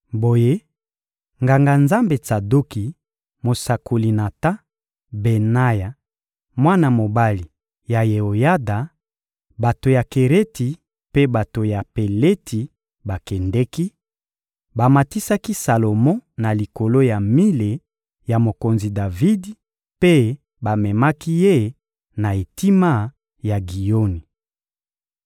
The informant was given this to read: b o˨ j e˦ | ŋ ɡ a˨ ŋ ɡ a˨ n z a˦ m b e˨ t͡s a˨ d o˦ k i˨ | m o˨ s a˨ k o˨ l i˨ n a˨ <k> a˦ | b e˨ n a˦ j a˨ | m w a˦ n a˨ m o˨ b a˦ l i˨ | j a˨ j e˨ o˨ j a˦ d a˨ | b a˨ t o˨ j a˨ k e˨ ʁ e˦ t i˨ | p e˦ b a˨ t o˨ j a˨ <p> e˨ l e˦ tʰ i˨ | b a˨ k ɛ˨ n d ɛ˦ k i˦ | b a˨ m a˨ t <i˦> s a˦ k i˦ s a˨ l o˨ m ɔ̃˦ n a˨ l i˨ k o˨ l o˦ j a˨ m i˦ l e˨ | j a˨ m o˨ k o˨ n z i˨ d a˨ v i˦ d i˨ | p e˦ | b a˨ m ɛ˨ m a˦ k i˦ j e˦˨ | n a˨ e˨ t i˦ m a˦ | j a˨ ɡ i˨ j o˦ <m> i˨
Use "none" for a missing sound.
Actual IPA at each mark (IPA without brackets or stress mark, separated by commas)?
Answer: t, p, i˦, n